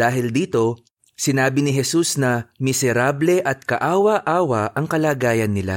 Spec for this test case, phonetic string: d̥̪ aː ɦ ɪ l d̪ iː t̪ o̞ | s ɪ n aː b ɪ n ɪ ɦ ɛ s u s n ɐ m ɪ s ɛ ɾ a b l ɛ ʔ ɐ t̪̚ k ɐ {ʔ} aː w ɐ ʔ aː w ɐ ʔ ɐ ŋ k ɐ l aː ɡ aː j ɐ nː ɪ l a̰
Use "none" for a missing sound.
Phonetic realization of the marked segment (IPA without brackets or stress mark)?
ʔ